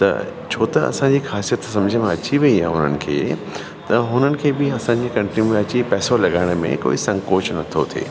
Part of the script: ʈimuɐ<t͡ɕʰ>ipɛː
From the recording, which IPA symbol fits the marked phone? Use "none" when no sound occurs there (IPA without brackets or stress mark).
t͡ɕ